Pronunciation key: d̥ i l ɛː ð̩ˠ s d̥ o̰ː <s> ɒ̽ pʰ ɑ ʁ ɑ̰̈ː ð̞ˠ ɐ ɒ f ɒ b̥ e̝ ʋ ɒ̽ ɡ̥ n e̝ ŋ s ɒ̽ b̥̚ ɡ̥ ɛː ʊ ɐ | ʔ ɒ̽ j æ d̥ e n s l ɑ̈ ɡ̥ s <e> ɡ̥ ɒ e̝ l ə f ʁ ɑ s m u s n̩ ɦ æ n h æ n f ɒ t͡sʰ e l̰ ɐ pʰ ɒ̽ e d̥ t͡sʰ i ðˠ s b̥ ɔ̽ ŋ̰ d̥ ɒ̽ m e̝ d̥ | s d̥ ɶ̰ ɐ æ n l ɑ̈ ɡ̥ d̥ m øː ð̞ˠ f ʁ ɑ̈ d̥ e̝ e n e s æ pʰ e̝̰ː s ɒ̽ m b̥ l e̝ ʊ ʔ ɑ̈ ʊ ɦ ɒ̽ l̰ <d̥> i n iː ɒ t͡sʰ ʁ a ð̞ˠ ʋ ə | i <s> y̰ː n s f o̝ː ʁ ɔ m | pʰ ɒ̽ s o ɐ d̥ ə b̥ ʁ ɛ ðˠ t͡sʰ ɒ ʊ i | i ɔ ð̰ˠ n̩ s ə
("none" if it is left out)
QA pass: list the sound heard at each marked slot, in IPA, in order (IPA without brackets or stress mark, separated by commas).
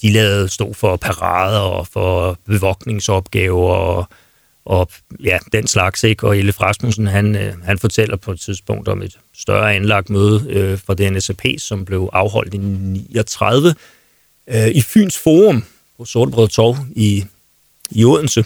f, e, d̥, f